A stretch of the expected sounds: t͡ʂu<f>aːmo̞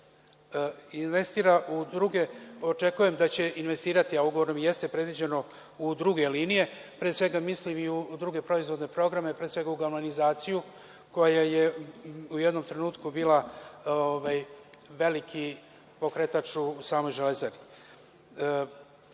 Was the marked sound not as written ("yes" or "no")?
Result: yes